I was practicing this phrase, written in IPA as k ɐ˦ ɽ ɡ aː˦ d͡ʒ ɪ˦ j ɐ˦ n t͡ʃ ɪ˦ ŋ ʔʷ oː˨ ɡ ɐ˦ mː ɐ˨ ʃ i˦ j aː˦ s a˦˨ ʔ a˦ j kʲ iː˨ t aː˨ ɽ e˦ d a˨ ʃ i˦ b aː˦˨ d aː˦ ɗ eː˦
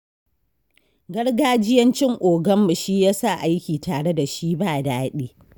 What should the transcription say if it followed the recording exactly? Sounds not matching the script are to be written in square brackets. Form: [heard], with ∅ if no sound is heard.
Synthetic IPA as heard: [ɡ] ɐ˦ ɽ ɡ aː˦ d͡ʒ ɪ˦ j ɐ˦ n t͡ʃ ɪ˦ ŋ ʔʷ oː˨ ɡ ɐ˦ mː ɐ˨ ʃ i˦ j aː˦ s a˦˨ ʔ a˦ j kʲ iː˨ t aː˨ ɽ e˦ d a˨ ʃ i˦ b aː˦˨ d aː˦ ɗ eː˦